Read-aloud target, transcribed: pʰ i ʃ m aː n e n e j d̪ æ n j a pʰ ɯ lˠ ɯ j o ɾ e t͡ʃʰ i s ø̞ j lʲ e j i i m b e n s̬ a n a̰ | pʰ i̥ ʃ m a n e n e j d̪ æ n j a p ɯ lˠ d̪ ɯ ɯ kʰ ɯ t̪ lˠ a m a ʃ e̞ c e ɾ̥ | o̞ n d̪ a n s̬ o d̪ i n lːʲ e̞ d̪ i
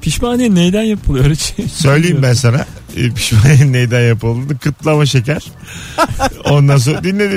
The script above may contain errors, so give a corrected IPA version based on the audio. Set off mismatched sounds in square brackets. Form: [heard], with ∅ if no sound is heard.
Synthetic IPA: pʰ i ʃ m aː n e n e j d̪ æ n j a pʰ ɯ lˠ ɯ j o ɾ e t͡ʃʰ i s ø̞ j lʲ e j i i m b [æ] n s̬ a n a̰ | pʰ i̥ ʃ m a n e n e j d̪ æ n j a p ɯ lˠ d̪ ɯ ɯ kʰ ɯ t̪ lˠ a m a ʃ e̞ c [æ] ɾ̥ | o̞ n d̪ a n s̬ o d̪ i n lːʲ e̞ d̪ i